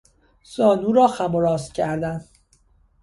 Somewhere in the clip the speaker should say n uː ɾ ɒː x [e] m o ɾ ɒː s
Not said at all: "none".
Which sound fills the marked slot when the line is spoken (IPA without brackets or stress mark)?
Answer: æ